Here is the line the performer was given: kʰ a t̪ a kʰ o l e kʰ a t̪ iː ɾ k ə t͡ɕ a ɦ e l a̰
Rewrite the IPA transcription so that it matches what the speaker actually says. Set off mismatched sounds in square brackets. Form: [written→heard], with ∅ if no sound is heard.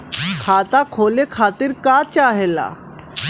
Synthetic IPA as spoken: kʰ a t̪ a kʰ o l e kʰ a t̪ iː ɾ k [ə→a] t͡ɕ a ɦ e l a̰